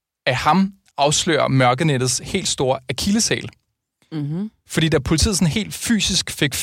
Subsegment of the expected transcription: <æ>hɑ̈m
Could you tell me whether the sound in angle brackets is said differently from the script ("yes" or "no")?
no